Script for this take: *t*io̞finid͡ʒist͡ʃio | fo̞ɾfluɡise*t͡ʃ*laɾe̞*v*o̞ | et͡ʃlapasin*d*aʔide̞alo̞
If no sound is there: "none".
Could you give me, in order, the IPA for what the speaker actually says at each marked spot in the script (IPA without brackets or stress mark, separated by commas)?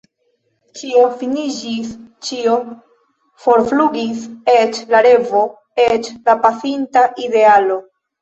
t͡ʃ, t͡ʃ, v, t